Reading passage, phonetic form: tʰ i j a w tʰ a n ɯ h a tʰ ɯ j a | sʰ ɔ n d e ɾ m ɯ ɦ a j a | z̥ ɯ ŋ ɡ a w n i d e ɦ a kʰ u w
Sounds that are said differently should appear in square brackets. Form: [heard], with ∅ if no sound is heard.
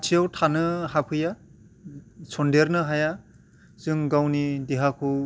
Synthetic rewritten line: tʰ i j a w tʰ a n ɯ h a [pʰ] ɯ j a | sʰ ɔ n d e ɾ [n] ɯ ɦ a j a | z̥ ɯ ŋ ɡ a w n i d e ɦ a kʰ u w